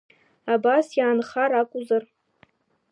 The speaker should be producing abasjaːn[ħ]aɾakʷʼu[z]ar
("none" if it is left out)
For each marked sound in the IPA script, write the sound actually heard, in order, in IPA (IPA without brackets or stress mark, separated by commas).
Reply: χ, z